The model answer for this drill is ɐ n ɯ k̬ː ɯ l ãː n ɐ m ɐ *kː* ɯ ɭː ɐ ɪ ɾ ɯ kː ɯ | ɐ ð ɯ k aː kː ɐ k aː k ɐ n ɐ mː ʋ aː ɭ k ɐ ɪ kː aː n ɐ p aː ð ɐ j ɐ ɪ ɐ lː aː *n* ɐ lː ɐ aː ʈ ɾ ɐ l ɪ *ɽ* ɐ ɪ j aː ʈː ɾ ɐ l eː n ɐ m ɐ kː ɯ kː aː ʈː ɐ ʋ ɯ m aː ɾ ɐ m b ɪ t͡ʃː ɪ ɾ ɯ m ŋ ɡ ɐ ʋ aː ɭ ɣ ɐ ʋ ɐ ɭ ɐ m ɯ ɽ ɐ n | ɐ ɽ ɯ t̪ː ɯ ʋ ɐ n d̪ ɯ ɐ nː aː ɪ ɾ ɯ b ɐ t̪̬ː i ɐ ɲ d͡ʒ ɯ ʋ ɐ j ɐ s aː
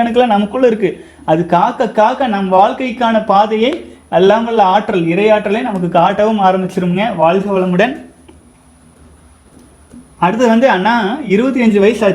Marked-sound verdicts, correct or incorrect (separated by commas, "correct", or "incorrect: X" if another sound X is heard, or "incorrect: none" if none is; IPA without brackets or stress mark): correct, incorrect: m, incorrect: ɾ